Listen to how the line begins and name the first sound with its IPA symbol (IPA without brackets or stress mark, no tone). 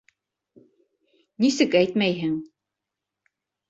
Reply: n